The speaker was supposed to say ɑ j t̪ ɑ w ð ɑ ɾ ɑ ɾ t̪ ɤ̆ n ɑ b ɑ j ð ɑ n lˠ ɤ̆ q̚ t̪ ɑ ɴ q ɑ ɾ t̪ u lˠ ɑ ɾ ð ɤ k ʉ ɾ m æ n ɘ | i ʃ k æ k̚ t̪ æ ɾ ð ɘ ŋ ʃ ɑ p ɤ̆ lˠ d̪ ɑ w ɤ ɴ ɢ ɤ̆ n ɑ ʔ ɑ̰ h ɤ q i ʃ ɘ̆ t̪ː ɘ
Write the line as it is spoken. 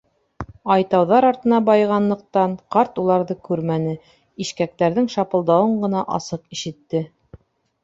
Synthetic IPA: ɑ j t̪ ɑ w ð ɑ ɾ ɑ ɾ t̪ ɤ̆ n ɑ b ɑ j ʁ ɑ n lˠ ɤ̆ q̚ t̪ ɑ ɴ q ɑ ɾ t̪ u lˠ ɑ ɾ ð ɤ k ʉ ɾ m æ n ɘ | i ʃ k æ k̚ t̪ æ ɾ ð ɘ ŋ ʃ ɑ p ɤ̆ lˠ d̪ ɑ w ɤ ɴ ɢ ɤ̆ n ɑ ʔ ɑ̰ s ɤ q i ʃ ɘ̆ t̪ː ɘ